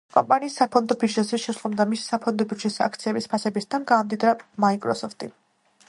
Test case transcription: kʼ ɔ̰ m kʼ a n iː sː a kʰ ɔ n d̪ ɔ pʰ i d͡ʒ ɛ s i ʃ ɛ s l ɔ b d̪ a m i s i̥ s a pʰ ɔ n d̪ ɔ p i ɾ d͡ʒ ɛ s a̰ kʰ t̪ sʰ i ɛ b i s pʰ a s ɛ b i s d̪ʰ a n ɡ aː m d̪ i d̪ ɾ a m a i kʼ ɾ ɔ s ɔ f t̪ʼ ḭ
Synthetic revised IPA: kʼ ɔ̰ m pʼ a n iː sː a pʰ ɔ n d̪ ɔ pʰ i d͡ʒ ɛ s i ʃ ɛ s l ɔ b d̪ a m i s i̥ s a pʰ ɔ n d̪ ɔ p i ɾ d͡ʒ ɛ s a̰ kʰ t̪ sʰ i ɛ b i s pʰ a s ɛ b i s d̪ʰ a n ɡ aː m d̪ i d̪ ɾ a m a i kʼ ɾ ɔ s ɔ f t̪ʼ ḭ